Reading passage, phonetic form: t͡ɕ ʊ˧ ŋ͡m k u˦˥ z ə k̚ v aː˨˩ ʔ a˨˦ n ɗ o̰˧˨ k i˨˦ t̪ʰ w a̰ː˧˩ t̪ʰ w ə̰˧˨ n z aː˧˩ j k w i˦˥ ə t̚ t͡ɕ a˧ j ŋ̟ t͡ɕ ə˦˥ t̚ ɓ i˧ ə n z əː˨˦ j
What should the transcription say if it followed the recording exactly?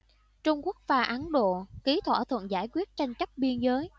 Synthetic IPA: t͡ɕ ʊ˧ ŋ͡m k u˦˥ ə k̚ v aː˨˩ ʔ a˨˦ n ɗ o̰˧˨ k i˨˦ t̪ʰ w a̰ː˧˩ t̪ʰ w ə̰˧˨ n z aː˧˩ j k w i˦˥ ə t̚ t͡ɕ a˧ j ŋ̟ t͡ɕ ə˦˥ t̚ ɓ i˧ ə n z əː˨˦ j